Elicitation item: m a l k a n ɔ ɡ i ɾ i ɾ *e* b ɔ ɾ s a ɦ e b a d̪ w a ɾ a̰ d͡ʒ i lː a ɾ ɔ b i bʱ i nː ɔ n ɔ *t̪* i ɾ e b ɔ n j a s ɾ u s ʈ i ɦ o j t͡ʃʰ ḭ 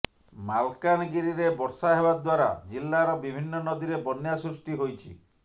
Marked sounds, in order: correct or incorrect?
correct, incorrect: d̪

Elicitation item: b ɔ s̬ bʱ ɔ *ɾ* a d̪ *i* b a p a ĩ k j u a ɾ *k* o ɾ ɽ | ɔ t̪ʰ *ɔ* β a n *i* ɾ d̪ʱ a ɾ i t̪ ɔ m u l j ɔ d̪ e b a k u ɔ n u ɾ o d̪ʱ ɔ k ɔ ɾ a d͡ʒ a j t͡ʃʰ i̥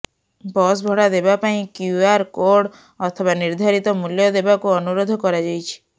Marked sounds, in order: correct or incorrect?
incorrect: ɽ, incorrect: e, correct, correct, correct

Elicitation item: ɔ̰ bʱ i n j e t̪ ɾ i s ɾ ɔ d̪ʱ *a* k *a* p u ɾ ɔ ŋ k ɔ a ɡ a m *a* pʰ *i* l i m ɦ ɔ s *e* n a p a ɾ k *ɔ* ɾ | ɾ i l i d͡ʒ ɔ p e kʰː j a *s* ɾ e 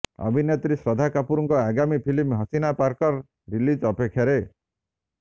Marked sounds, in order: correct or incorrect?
correct, correct, incorrect: i, correct, incorrect: i, correct, incorrect: none

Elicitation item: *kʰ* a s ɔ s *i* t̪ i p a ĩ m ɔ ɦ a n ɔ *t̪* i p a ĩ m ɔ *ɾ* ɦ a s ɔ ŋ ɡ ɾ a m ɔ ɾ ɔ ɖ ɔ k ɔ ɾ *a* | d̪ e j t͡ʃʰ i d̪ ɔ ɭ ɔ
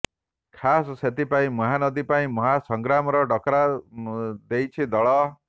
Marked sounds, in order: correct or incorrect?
correct, incorrect: e, incorrect: d̪, incorrect: none, correct

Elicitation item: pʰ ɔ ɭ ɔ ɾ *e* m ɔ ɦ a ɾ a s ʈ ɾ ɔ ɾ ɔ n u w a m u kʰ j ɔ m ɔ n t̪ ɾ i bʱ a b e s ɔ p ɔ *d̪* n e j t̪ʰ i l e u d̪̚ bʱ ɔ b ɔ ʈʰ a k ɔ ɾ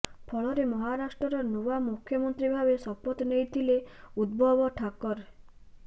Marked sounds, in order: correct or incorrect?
correct, incorrect: t̪

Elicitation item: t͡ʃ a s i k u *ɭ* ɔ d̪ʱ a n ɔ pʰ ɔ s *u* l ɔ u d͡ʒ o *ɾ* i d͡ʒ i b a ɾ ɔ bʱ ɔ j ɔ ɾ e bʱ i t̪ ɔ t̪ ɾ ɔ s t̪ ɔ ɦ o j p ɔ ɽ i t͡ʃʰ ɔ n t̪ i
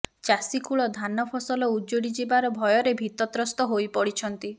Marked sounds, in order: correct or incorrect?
correct, incorrect: ɔ, incorrect: ɽ

